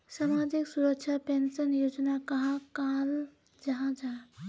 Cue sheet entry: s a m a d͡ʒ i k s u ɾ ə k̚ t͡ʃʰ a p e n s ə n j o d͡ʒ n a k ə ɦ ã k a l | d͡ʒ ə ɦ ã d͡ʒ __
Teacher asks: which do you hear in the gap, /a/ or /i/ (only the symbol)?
a